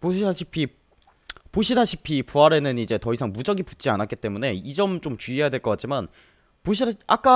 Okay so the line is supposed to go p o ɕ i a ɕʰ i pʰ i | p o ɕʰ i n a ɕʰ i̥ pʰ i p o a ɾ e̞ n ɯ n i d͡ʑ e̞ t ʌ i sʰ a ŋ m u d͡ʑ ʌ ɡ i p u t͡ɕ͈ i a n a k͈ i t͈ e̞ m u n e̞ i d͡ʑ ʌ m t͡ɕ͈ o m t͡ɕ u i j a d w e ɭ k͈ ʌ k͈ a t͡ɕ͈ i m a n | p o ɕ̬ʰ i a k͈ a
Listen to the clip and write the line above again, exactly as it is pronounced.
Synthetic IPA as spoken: p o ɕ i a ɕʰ i pʰ i | p o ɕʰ i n a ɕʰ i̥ pʰ i p u a ɾ e̞ n ɯ n i d͡ʑ e̞ t ʌ i sʰ a ŋ m u d͡ʑ ʌ ɡ i p u t͡ɕ͈ i a n a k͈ i t͈ e̞ m u n e̞ i d͡ʑ ʌ m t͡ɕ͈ o m t͡ɕ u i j a d w e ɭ k͈ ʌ k͈ a t͡ɕ͈ i m a n | p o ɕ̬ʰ i a k͈ a